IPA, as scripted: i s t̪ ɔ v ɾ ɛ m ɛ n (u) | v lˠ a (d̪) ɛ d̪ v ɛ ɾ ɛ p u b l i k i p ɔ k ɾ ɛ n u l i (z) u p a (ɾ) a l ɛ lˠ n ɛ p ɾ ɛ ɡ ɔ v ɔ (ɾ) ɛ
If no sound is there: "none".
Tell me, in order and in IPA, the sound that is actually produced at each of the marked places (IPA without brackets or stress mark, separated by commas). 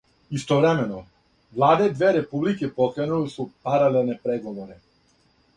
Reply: ɔ, d̪, s, ɾ, ɾ